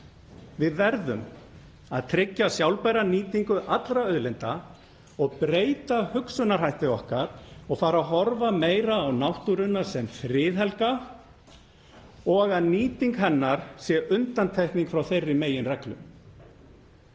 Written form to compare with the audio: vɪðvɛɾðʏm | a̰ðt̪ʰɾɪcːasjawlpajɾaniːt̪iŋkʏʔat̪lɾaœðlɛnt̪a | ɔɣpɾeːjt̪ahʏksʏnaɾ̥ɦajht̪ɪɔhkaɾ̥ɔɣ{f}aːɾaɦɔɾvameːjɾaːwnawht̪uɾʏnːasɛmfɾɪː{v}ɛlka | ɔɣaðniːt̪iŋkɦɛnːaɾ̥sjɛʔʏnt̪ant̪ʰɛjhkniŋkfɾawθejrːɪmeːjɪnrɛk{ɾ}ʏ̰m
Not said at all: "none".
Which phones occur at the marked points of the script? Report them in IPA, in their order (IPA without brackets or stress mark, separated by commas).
f, ð, l